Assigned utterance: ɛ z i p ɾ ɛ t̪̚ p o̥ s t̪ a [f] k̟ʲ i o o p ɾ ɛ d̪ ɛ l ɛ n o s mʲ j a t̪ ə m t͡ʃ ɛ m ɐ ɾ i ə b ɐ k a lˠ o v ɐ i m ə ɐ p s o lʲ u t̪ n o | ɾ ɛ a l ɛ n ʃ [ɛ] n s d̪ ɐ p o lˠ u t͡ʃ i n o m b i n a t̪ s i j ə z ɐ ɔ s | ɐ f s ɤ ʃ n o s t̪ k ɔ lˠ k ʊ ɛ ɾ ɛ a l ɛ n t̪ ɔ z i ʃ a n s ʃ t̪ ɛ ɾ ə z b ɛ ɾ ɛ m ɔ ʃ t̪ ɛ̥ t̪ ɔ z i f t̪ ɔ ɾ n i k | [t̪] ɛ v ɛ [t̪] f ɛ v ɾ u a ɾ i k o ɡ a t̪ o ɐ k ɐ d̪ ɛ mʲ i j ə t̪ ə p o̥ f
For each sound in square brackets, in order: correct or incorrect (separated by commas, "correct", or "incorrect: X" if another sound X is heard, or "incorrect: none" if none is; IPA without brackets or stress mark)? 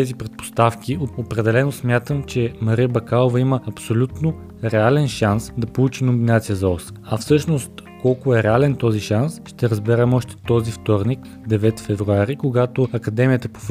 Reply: correct, incorrect: a, incorrect: d̪, correct